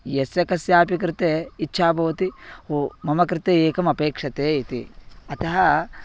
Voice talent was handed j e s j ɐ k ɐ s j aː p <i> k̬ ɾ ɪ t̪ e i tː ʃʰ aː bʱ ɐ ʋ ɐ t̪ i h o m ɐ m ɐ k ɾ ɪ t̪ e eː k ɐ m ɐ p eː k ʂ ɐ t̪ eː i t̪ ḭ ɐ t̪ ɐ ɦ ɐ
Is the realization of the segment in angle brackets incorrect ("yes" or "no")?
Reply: no